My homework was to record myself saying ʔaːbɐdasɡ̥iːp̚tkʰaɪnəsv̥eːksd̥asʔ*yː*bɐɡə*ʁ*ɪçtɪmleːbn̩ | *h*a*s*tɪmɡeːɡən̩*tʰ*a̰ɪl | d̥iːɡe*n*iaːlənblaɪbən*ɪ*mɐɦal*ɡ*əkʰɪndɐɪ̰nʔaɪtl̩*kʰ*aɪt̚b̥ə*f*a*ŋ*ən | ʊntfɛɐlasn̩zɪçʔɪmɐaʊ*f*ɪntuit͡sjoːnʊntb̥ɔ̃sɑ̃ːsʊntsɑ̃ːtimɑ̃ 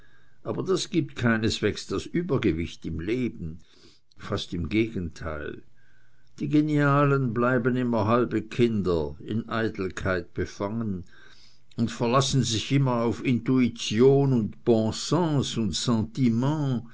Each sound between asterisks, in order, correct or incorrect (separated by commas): correct, incorrect, incorrect, correct, correct, correct, correct, incorrect, correct, correct, correct, correct